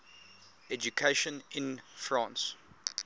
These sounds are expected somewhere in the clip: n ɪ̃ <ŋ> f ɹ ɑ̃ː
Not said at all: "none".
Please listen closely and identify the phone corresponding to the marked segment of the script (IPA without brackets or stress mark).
n